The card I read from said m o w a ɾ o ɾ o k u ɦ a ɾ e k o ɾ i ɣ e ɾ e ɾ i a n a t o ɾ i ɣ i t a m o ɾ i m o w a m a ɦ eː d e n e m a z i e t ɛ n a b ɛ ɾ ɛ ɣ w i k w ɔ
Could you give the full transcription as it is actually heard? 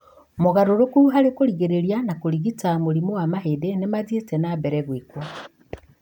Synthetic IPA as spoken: m o ɣ a ɾ o ɾ o k u ɦ a ɾ e k o ɾ i ɣ e ɾ e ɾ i a n a k o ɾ i ɣ i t a m o ɾ i m o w a m a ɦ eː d e n e m a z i e t ɛ n a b ɛ ɾ ɛ ɣ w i k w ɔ